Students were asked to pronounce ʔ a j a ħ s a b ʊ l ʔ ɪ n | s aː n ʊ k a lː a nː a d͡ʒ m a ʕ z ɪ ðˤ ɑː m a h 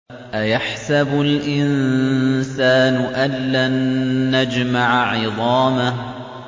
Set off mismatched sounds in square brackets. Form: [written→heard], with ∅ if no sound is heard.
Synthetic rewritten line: ʔ a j a ħ s a b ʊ l ʔ ɪ n | s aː n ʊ [k→ʔ] a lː a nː a d͡ʒ m a ʕ [z→ʕ] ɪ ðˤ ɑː m a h